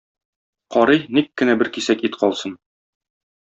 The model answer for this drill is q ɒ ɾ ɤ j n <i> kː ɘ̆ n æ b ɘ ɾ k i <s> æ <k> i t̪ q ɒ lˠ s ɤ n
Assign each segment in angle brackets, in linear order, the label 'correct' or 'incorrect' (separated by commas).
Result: correct, correct, correct